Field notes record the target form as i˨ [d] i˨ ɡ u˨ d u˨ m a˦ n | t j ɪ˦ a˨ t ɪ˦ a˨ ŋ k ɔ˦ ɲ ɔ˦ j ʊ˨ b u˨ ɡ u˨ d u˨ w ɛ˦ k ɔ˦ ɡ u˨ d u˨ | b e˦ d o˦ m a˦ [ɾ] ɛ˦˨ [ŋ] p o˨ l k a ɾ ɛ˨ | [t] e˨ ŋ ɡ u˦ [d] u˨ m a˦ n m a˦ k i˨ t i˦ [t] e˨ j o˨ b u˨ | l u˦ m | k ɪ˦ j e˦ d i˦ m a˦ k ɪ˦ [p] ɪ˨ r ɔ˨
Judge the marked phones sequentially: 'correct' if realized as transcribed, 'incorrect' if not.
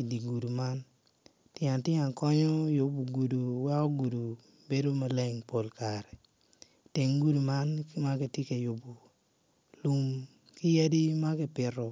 correct, incorrect: l, correct, correct, correct, incorrect: k, correct

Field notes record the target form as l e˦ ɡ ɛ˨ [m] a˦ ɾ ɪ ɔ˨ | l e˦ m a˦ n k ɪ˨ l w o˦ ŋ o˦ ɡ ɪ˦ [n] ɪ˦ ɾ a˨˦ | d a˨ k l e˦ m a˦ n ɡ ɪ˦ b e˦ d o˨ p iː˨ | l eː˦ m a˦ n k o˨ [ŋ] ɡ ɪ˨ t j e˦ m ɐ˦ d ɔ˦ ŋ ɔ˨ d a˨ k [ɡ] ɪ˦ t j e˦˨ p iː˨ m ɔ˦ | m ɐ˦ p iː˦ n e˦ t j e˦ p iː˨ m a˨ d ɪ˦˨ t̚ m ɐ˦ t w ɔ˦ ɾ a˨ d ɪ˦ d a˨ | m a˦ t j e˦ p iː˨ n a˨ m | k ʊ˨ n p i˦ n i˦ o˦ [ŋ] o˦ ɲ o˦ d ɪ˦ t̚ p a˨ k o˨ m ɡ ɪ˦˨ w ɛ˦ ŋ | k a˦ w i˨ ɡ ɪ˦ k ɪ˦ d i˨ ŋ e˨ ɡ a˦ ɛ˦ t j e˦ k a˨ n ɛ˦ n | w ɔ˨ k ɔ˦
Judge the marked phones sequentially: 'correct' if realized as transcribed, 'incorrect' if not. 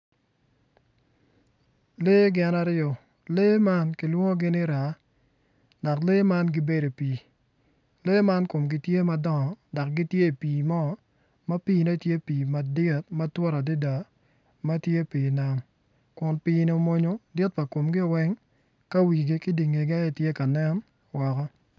incorrect: n, correct, incorrect: m, correct, incorrect: m

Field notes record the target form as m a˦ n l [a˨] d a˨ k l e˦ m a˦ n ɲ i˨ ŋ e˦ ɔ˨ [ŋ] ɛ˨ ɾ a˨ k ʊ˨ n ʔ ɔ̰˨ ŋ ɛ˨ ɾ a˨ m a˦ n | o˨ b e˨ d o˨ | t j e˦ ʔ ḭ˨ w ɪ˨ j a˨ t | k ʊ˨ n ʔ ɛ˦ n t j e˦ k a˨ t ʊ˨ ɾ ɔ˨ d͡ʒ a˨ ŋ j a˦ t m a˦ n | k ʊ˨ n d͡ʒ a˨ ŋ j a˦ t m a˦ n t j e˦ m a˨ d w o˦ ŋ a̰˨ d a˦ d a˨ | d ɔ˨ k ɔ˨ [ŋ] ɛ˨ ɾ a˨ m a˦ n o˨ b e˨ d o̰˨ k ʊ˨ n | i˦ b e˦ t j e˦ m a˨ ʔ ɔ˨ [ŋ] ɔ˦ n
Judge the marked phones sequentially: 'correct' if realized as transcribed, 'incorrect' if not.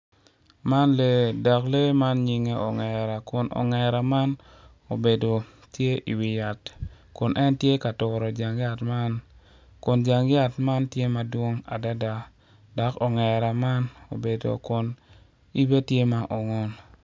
incorrect: e˨, correct, correct, correct

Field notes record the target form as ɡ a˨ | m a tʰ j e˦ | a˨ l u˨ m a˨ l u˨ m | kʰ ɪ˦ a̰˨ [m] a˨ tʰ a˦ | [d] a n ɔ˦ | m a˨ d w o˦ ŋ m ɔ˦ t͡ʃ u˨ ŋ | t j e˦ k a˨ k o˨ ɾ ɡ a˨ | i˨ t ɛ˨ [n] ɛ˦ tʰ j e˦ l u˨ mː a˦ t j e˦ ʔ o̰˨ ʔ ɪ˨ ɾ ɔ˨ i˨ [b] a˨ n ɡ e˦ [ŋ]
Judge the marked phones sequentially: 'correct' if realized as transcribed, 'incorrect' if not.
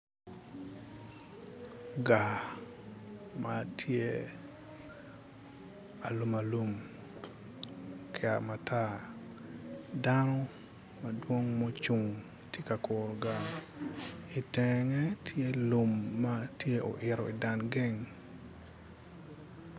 correct, correct, incorrect: ŋ, incorrect: d, correct

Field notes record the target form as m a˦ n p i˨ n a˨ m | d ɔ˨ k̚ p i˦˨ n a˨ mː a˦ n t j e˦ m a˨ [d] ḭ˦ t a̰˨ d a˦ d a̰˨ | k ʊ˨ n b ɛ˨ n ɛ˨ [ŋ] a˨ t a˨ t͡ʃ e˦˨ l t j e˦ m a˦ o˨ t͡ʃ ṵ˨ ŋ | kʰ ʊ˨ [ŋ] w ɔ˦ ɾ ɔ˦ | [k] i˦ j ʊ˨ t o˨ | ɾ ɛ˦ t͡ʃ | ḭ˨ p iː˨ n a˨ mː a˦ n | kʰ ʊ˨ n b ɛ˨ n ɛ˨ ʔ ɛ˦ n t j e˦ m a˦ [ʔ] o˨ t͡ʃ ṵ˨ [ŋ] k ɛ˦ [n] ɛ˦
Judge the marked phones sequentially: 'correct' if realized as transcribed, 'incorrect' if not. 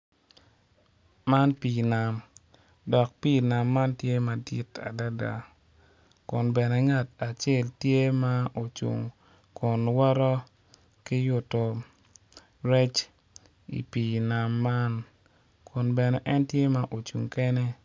correct, correct, incorrect: n, correct, correct, correct, correct

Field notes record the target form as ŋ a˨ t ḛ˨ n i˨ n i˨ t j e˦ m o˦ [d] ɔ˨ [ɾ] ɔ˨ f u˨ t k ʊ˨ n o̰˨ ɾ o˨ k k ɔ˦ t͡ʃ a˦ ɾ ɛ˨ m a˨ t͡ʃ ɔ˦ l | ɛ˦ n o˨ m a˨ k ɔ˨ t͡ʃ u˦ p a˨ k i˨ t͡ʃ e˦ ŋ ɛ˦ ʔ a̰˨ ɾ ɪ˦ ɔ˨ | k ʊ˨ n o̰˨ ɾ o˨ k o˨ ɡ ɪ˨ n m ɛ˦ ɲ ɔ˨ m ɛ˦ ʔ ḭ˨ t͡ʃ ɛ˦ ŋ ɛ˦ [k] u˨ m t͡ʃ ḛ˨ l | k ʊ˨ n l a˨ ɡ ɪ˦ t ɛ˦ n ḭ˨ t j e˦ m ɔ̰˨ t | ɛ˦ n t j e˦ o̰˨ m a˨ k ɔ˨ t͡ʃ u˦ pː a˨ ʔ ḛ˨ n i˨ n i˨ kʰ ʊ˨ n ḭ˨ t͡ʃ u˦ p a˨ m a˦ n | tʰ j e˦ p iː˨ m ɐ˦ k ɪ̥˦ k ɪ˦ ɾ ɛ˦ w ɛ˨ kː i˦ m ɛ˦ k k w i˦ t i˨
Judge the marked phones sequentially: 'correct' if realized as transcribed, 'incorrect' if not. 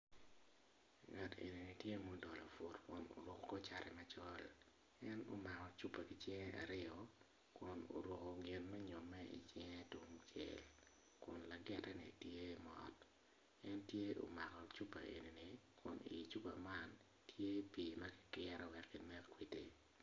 correct, incorrect: l, incorrect: t

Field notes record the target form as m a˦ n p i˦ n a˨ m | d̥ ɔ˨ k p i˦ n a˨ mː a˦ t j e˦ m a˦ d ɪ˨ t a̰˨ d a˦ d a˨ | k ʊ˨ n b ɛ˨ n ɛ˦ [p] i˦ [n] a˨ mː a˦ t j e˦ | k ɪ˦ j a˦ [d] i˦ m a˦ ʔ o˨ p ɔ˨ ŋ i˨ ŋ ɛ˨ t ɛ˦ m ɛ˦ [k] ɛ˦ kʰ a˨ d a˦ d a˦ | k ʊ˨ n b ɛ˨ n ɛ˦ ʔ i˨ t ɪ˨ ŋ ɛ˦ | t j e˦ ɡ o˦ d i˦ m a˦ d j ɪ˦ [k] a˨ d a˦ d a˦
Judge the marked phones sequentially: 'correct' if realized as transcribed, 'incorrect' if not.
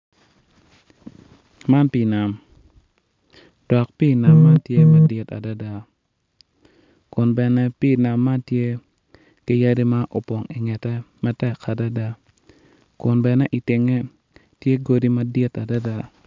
correct, correct, correct, incorrect: t, incorrect: t

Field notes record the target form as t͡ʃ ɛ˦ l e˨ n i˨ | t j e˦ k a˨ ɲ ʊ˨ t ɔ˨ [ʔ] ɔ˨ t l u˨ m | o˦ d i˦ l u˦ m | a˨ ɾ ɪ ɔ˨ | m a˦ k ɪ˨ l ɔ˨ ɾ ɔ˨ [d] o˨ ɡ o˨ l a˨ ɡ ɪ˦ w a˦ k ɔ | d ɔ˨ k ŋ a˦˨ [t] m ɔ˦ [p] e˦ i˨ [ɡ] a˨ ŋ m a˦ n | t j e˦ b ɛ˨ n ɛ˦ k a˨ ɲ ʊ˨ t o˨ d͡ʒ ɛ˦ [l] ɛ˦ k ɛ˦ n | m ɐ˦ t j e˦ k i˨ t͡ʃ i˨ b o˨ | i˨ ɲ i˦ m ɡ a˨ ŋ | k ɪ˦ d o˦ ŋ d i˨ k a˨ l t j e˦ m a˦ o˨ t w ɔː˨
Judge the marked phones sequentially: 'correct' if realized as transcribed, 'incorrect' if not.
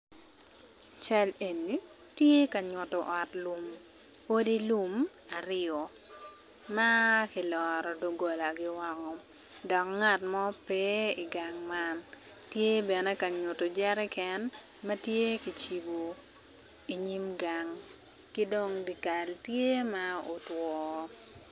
correct, correct, correct, correct, correct, incorrect: ɾ

